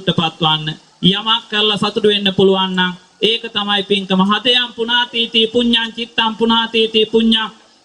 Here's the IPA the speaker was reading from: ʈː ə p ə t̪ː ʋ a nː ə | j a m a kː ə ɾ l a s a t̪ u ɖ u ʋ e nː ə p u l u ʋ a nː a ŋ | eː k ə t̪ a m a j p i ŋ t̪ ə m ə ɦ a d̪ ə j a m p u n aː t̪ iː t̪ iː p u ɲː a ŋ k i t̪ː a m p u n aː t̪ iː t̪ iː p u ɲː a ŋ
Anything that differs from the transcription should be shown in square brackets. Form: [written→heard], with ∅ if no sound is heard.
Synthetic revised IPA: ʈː ə p [ə→a] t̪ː ʋ a nː ə | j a m a kː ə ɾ l a s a t̪ u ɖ u ʋ e nː ə p u l u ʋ a nː a ŋ | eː k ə t̪ a m a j p i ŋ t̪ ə m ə ɦ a d̪ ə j a m p u n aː t̪ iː t̪ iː p u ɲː a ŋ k i t̪ː a m p u n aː t̪ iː t̪ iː p u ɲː a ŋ